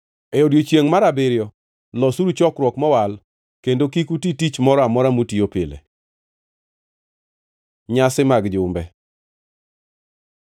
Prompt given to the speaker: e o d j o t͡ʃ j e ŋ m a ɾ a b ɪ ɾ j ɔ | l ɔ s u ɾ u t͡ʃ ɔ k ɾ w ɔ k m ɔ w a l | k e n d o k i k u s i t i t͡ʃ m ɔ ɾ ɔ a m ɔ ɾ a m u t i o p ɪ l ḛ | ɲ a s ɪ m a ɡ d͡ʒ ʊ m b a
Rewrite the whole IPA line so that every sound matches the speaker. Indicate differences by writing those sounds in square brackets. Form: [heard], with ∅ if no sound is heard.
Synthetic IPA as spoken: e o d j o t͡ʃ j e ŋ m a ɾ a b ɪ ɾ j ɔ | l ɔ s u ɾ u t͡ʃ ɔ k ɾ w ɔ k m ɔ w a l | k e n d o k i k u [t] i t i t͡ʃ m ɔ ɾ ɔ a m ɔ ɾ a m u t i o p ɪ l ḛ | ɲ a s ɪ m a ɡ d͡ʒ ʊ m b [ɛ]